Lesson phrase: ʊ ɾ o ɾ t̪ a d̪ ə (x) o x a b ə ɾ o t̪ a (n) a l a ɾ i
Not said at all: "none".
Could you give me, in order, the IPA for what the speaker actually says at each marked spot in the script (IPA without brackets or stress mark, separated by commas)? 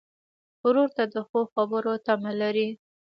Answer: x, m